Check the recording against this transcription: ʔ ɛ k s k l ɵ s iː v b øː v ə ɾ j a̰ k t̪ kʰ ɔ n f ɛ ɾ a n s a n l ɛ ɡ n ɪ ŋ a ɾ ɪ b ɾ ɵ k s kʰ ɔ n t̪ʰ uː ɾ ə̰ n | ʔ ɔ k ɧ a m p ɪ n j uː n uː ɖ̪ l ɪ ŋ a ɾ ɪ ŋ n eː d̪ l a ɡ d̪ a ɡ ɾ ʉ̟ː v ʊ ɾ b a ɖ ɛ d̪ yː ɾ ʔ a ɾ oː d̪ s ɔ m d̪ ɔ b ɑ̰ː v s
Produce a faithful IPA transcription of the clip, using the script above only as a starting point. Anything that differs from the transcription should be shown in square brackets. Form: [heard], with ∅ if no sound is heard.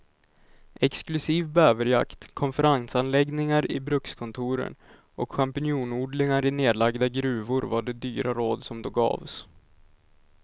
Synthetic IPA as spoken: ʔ ɛ k s k l ɵ s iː v b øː v ə ɾ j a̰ k t̪ kʰ ɔ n f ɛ ɾ a n s a n l ɛ ɡ n ɪ ŋ a ɾ ɪ b ɾ ɵ k s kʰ ɔ n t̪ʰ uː ɾ ə̰ n | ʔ ɔ k ɧ a m p ɪ n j uː n uː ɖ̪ l ɪ ŋ a ɾ ɪ [∅] n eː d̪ l a ɡ d̪ a ɡ ɾ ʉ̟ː v ʊ ɾ [v] a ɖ ɛ d̪ yː ɾ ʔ a ɾ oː d̪ s ɔ m d̪ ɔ [ɡ] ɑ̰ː v s